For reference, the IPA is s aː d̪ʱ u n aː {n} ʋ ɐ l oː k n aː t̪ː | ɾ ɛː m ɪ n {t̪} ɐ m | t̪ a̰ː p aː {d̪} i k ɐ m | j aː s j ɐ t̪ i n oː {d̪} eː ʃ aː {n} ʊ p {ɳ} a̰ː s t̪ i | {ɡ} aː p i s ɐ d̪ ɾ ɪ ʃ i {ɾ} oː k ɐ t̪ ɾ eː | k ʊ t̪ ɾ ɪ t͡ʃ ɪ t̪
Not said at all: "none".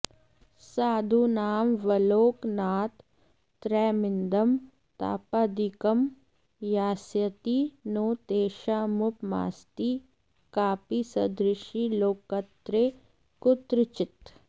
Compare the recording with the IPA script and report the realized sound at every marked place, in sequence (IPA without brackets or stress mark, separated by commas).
m, d̪, d̪, t̪, m, m, k, l